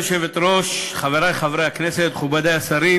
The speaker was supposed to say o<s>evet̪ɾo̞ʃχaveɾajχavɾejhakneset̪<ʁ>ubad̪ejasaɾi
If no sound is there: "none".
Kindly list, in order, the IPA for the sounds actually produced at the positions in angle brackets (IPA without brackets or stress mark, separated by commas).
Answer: ʃ, χ